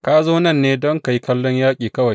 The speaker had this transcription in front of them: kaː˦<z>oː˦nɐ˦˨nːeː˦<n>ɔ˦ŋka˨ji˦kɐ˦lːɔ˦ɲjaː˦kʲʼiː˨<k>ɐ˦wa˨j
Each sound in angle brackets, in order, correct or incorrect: correct, incorrect, correct

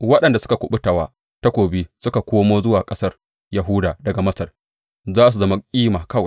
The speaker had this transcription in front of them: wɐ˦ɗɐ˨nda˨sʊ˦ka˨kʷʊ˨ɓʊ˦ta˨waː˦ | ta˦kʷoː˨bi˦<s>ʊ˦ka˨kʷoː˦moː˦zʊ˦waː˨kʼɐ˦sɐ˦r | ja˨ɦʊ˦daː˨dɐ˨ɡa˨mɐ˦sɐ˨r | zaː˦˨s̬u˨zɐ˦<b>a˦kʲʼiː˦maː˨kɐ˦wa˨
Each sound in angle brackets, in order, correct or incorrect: correct, incorrect

